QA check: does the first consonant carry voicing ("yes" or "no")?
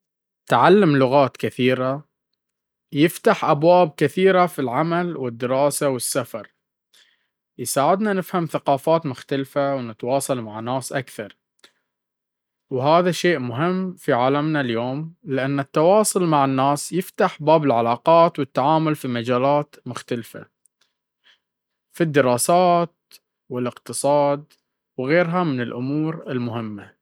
no